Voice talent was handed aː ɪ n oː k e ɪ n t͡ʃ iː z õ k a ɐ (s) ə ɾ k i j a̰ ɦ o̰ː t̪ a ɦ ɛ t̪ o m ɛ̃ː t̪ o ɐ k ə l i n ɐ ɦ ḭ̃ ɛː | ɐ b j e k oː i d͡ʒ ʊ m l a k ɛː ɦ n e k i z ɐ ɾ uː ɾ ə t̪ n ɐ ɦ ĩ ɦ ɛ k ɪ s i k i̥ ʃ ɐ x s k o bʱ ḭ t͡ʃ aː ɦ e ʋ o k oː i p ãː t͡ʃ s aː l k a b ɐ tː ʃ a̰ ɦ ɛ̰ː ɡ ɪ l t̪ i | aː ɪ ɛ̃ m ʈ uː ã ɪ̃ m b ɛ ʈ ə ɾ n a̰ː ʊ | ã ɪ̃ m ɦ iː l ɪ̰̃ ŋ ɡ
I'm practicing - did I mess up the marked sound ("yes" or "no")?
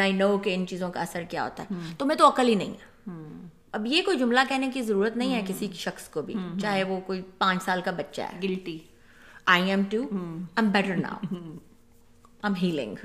no